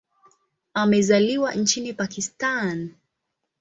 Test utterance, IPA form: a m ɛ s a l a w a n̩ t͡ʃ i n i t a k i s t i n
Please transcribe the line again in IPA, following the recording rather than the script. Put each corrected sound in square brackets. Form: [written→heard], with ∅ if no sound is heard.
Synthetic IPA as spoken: a m ɛ [s→z] a l [a→i] w a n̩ t͡ʃ i n i [t→p] a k i s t [i→a] n